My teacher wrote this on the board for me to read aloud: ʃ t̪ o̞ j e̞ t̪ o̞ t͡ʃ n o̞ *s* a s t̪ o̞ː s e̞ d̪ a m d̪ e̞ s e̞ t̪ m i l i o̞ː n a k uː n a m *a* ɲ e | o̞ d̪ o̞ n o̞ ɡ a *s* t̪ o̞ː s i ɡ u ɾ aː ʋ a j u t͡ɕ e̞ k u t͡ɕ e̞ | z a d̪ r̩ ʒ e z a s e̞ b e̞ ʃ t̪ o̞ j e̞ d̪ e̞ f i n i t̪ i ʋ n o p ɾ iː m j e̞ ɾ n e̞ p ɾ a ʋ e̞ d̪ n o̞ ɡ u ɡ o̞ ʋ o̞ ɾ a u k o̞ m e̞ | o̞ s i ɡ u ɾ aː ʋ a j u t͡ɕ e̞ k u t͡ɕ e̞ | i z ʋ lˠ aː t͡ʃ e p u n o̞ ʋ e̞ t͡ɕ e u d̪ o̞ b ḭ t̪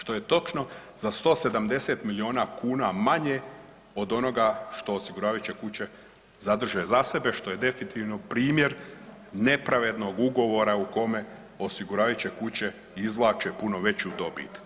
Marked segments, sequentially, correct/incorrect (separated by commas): incorrect, correct, incorrect